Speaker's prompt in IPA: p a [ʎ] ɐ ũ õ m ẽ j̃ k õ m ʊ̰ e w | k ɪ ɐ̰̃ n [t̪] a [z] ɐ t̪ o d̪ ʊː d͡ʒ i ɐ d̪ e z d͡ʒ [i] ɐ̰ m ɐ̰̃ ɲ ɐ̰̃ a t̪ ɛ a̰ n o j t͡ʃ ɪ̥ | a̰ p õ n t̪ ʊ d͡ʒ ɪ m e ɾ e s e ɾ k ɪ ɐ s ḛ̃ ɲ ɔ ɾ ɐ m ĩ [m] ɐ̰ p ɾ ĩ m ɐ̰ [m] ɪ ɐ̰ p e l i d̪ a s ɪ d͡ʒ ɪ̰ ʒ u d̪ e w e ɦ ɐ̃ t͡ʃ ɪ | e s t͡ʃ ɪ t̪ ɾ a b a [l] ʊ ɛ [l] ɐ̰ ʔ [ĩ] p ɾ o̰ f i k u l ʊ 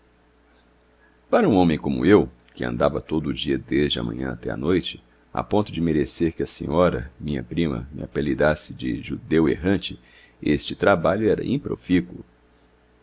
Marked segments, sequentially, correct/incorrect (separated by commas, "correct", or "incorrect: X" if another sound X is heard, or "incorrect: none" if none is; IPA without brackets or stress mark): incorrect: ɾ, incorrect: d̪, incorrect: v, incorrect: ɪ, incorrect: ɲ, correct, incorrect: ʎ, incorrect: ɾ, correct